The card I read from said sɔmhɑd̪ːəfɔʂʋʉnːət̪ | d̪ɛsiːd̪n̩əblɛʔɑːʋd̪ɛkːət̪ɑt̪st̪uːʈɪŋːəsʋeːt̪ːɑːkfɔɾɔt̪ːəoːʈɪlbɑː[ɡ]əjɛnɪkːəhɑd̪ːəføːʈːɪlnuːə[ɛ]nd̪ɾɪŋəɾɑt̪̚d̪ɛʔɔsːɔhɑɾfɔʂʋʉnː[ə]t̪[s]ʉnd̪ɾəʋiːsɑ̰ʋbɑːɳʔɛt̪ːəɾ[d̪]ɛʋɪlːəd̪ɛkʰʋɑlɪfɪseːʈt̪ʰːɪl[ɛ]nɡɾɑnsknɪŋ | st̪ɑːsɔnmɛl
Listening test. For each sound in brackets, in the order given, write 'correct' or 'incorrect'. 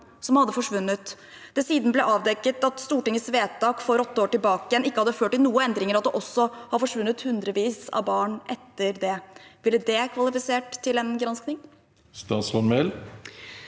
incorrect: k, correct, correct, incorrect: h, correct, correct

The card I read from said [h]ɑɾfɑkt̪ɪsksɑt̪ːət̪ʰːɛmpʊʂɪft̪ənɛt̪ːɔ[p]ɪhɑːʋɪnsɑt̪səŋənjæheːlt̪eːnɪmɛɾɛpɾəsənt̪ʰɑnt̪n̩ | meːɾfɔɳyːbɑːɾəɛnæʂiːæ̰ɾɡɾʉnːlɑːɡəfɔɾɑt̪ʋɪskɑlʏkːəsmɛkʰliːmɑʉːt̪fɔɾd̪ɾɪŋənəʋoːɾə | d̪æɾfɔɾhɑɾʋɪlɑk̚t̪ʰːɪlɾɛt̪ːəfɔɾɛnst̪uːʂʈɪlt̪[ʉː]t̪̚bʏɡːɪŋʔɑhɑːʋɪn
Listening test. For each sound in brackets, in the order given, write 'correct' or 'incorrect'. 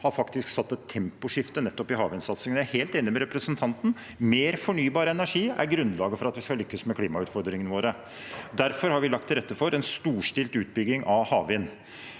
correct, correct, correct

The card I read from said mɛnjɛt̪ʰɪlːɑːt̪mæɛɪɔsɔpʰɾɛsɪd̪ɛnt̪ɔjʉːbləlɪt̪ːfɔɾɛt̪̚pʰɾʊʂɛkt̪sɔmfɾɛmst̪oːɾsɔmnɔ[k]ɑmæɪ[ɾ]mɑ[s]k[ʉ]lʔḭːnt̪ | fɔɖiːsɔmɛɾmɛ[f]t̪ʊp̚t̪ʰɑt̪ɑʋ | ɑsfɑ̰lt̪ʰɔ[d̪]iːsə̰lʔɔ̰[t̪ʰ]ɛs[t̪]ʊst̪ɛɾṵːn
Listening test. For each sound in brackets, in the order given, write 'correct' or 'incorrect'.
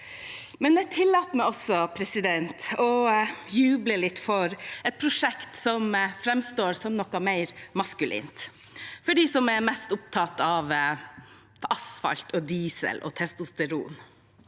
correct, correct, correct, correct, incorrect: s, correct, correct, correct

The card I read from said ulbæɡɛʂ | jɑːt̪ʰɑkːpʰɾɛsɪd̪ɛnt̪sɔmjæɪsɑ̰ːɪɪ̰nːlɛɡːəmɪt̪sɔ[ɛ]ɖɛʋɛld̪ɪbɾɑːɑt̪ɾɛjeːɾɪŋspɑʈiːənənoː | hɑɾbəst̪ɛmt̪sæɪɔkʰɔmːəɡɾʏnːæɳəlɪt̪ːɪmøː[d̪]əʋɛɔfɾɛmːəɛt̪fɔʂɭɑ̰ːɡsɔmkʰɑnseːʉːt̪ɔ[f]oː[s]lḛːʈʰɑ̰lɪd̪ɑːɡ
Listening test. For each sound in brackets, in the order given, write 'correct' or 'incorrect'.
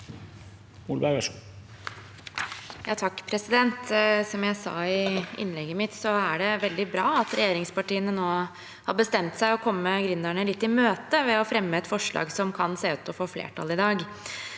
incorrect: æ, incorrect: t̪, correct, incorrect: f

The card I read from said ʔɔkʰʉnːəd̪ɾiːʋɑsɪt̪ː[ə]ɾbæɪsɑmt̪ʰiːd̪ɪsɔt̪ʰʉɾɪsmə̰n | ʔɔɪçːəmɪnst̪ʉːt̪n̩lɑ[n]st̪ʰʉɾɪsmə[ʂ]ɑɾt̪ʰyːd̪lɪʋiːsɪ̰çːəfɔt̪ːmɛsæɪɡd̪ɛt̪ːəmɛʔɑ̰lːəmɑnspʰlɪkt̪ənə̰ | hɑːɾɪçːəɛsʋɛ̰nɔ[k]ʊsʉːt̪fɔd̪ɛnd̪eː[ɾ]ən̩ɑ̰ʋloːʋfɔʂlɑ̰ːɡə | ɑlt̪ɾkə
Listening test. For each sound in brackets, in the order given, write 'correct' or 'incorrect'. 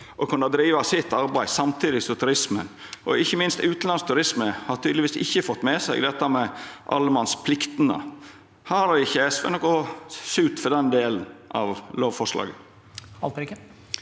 incorrect: ɑ, correct, incorrect: h, correct, incorrect: l

